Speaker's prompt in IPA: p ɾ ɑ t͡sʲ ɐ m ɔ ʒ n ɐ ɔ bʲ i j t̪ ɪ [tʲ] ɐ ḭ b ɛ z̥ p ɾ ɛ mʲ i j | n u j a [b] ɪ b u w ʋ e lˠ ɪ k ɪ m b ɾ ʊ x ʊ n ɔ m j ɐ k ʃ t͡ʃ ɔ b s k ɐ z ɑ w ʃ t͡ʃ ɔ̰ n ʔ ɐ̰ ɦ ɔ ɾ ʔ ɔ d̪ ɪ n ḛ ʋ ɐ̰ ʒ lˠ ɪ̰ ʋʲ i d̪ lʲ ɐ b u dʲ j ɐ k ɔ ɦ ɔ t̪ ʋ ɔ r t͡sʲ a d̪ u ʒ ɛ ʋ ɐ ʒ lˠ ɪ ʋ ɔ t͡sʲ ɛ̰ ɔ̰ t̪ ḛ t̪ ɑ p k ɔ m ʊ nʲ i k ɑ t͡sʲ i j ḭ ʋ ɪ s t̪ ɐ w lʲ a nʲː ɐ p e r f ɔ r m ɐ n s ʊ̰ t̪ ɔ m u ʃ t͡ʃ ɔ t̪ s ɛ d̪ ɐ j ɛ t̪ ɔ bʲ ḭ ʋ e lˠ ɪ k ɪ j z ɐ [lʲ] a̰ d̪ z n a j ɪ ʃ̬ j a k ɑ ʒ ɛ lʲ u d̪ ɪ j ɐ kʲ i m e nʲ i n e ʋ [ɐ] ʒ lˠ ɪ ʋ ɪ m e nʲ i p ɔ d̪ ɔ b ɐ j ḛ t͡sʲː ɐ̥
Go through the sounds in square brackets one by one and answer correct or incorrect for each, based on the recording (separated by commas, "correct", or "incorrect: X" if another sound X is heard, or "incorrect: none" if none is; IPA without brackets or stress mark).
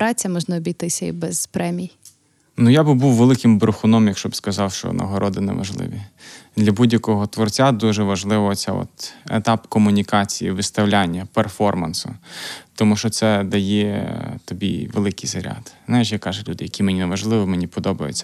incorrect: sʲ, correct, incorrect: ɾʲ, correct